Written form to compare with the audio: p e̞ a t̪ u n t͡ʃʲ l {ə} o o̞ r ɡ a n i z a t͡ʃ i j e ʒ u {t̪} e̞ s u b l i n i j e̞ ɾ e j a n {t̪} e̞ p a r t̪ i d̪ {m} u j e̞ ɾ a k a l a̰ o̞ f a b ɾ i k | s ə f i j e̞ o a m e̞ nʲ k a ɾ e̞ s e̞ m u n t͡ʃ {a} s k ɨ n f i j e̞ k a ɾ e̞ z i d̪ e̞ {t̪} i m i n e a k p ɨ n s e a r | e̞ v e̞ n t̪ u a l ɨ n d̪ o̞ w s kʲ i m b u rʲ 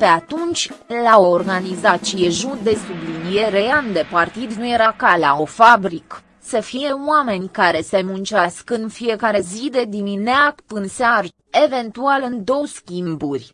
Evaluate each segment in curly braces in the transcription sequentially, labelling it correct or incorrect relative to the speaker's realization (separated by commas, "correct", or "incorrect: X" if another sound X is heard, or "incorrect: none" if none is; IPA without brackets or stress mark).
incorrect: a, incorrect: d̪, incorrect: d̪, incorrect: n, correct, incorrect: d̪